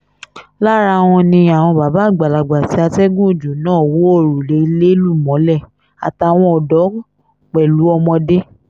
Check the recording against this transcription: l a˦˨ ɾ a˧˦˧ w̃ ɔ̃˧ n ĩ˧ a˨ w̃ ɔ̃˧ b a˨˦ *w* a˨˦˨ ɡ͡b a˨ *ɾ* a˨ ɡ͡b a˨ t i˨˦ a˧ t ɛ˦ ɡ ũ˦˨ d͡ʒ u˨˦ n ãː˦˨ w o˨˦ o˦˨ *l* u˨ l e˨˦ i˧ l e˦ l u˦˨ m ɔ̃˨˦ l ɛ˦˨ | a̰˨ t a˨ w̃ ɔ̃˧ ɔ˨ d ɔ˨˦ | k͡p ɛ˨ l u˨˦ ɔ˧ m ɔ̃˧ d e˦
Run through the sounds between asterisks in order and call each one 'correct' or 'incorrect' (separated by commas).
incorrect, incorrect, incorrect